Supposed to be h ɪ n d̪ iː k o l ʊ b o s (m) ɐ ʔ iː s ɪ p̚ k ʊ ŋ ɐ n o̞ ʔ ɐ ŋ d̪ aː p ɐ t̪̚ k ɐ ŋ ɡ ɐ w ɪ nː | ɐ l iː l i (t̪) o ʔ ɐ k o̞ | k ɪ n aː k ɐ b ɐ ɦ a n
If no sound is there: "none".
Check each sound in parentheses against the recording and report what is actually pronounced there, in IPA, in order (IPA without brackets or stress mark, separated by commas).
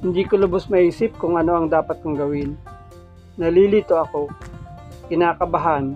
m, t̪